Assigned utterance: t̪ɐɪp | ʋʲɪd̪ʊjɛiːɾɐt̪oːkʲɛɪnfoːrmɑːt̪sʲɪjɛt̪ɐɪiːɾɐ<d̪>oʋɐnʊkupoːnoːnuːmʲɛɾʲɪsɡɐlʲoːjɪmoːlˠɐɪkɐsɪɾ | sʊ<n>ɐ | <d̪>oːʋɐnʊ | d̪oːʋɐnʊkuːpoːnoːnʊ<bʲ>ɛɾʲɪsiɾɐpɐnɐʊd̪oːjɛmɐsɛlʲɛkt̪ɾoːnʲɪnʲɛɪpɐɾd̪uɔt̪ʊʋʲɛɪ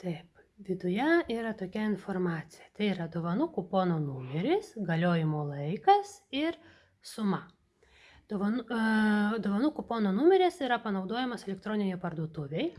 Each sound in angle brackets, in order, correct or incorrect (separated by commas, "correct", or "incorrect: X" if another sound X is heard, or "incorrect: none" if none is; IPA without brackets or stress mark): correct, incorrect: m, correct, incorrect: mʲ